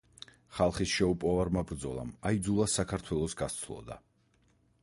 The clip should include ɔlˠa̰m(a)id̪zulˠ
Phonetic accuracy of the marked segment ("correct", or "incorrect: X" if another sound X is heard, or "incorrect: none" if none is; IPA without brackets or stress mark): correct